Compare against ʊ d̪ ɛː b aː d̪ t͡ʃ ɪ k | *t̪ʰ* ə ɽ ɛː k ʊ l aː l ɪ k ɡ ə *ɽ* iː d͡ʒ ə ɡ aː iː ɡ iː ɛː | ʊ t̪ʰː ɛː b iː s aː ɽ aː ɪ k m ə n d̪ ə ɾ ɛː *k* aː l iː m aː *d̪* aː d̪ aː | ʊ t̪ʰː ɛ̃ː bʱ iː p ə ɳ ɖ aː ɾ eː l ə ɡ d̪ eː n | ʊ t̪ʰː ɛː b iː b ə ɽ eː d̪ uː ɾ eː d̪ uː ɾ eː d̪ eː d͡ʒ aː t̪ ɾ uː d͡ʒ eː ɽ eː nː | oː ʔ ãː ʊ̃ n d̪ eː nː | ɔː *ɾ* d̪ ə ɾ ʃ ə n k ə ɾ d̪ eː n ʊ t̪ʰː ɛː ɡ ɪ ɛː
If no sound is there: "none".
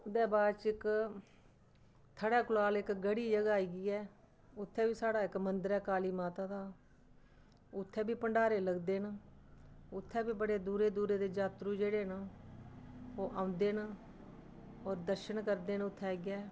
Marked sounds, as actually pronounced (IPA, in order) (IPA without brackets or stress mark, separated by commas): t̪ʰ, ɽ, k, t̪, ɾ